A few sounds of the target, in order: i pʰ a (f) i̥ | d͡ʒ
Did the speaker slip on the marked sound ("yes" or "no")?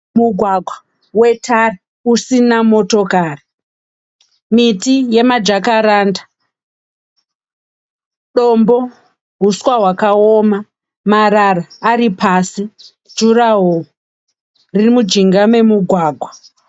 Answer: yes